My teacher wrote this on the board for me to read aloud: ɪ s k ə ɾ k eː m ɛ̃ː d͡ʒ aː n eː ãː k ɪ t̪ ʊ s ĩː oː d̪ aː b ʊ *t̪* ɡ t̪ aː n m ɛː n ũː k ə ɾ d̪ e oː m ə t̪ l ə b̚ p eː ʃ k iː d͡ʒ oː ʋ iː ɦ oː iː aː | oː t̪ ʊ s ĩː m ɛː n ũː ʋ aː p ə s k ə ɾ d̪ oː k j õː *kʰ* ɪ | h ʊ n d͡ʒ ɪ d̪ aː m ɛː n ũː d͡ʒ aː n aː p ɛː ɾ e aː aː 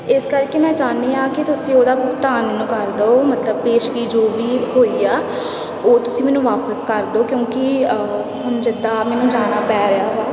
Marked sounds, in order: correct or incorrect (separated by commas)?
incorrect, incorrect